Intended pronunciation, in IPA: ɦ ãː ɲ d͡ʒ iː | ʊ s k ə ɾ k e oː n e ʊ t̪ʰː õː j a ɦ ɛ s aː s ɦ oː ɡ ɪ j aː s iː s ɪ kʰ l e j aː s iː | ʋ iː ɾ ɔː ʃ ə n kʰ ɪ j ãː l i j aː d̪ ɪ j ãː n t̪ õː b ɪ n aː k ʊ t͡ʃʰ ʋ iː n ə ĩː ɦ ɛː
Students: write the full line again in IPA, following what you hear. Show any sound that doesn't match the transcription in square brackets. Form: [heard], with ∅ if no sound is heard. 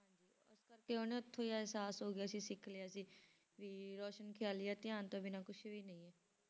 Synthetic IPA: ɦ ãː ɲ d͡ʒ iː | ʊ s k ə ɾ k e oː n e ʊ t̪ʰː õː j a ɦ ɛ s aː s ɦ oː ɡ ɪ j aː s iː s ɪ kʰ l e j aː s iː | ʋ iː ɾ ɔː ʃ ə n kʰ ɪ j [aː] l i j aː [t̪] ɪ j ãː n t̪ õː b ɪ n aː k ʊ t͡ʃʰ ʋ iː n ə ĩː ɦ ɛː